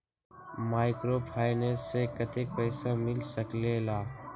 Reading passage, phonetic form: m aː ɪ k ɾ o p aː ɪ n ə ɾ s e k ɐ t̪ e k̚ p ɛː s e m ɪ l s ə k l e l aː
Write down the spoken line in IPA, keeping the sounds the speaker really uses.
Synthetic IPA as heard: m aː ɪ k ɾ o pʰ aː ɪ n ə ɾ s e k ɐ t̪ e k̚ p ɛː s a m ɪ l s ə k l e l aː